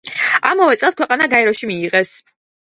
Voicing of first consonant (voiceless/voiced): voiced